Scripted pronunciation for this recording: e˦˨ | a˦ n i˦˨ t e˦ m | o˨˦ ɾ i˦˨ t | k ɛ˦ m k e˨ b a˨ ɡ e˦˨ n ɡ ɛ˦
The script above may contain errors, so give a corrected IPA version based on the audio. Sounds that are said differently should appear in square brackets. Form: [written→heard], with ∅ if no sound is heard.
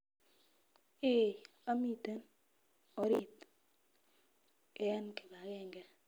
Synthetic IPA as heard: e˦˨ | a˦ [n→m] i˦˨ t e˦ [m→n] | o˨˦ ɾ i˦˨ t | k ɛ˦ [m→n] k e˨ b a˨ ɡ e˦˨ [n→ŋ] ɡ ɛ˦